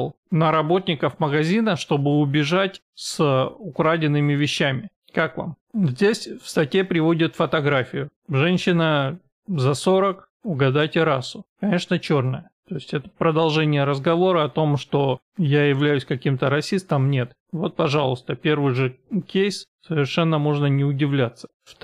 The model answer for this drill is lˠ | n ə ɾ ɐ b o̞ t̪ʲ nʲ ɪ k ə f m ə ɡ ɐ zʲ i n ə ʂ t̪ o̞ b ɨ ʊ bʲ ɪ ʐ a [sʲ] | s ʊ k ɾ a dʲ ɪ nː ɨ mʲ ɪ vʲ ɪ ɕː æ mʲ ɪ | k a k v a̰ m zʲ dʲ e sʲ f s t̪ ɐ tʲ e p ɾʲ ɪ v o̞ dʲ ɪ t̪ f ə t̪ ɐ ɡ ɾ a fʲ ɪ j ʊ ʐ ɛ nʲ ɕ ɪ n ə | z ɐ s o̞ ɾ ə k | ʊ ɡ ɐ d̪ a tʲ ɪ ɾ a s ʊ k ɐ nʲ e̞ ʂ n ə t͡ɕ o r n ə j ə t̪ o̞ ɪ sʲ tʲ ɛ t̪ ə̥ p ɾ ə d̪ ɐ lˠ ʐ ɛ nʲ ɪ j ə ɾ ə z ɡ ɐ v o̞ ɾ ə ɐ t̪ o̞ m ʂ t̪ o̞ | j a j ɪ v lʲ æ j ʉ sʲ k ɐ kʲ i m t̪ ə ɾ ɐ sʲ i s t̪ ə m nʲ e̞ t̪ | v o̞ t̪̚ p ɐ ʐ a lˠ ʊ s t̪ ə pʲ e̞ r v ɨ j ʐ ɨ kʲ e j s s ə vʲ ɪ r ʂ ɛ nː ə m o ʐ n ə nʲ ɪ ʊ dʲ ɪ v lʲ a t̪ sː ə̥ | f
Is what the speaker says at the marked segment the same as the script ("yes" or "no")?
no